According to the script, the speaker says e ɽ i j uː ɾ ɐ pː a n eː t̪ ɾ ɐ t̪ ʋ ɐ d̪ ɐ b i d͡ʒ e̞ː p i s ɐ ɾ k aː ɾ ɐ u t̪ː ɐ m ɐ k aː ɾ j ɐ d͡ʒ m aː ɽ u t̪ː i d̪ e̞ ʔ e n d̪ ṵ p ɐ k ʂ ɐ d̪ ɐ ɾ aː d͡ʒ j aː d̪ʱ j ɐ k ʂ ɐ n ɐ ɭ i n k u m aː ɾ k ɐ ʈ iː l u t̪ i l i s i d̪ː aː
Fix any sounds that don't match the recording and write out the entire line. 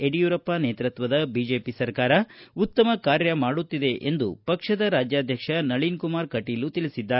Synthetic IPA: e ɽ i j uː ɾ ɐ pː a n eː t̪ ɾ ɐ t̪ ʋ ɐ d̪ ɐ b i d͡ʒ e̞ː p i s ɐ ɾ k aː ɾ ɐ u t̪ː ɐ m ɐ k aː ɾ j ɐ m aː ɽ u t̪ː i d̪ e̞ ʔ e n d̪ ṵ p ɐ k ʂ ɐ d̪ ɐ ɾ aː d͡ʒ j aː d̪ʱ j ɐ k ʂ ɐ n ɐ ɭ i n k u m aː ɾ k ɐ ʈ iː l u t̪ i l i s i d̪ː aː

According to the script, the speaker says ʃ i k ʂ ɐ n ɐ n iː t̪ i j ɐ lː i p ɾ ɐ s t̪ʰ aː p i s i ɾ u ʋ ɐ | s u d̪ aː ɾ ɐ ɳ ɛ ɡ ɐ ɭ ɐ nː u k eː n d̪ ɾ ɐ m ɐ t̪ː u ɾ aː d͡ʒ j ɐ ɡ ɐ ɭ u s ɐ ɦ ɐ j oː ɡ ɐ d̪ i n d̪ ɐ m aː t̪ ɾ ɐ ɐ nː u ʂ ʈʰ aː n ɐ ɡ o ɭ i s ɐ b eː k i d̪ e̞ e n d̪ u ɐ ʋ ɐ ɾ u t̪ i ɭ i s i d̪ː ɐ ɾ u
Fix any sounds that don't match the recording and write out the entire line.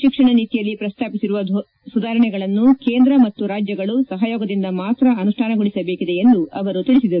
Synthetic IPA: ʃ i k ʂ ɐ ɳ ɐ n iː t̪ i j ɐ lː i p ɾ ɐ s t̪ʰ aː p i s i ɾ u ʋ ɐ | s u d̪ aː ɾ ɐ ɳ ɛ ɡ ɐ ɭ ɐ nː u k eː n d̪ ɾ ɐ m ɐ t̪ː u ɾ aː d͡ʒ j ɐ ɡ ɐ ɭ u s ɐ ɦ ɐ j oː ɡ ɐ d̪ i n d̪ ɐ m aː t̪ ɾ ɐ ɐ n u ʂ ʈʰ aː n ɐ ɡ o ɭ i s ɐ b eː k i d̪ e̞ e n d̪ u ɐ ʋ ɐ ɾ u t̪ i ɭ i s i d̪ ɐ ɾ u

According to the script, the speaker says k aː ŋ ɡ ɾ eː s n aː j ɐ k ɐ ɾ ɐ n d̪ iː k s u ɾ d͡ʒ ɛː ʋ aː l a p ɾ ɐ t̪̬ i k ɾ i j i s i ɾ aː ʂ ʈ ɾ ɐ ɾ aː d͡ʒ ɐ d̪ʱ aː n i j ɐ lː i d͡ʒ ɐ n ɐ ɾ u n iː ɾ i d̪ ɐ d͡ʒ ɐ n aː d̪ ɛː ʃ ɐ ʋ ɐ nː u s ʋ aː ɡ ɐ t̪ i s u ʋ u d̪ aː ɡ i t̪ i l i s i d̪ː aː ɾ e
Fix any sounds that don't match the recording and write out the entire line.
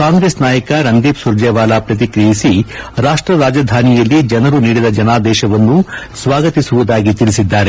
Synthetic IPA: k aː ŋ ɡ ɾ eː s n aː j ɐ k ɐ ɾ ɐ n d̪ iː p s u ɾ d͡ʒ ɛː ʋ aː l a p ɾ ɐ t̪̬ i k ɾ i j i s i ɾ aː ʂ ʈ ɾ ɐ ɾ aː d͡ʒ ɐ d̪ʱ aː n i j ɐ lː i d͡ʒ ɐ n ɐ ɾ u n iː ɽ i d̪ ɐ d͡ʒ ɐ n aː d̪ ɛː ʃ ɐ ʋ ɐ nː u s ʋ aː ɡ ɐ t̪ i s u ʋ u d̪ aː ɡ i t̪ i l i s i d̪ː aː ɾ e

